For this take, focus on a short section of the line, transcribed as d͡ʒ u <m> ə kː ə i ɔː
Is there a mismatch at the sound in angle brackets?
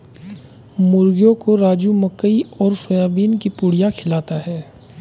no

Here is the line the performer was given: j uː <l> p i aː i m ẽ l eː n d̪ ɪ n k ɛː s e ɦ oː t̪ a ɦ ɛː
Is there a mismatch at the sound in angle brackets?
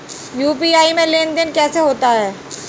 yes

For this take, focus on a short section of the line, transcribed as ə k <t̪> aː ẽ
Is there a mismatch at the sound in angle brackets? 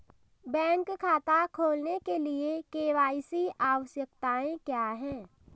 no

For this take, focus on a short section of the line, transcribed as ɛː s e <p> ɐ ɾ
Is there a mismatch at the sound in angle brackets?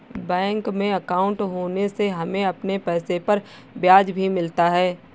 no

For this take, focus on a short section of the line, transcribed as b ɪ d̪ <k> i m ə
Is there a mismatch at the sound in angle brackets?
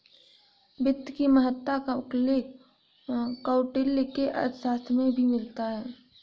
no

